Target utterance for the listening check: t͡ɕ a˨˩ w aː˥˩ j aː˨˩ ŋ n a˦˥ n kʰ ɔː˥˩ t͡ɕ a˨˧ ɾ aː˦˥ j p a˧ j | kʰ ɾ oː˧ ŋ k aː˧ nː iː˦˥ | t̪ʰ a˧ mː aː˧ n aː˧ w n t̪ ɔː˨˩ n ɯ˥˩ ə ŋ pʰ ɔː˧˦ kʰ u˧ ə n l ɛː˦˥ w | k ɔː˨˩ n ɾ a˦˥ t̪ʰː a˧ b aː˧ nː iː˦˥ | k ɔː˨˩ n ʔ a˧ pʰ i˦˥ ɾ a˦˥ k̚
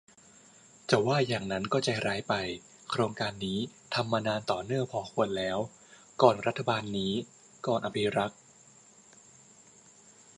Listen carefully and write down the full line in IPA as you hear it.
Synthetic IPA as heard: t͡ɕ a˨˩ w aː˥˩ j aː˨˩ ŋ n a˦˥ n k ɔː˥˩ t͡ɕ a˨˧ ɾ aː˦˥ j p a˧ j | kʰ ɾ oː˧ ŋ k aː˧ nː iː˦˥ | t̪ʰ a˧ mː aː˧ n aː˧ n t̪ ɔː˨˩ n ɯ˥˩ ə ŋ pʰ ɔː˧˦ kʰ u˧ ə n l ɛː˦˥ w | k ɔː˨˩ n ɾ a˦˥ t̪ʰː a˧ b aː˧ nː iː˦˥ | k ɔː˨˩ n ʔ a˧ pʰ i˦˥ ɾ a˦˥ k̚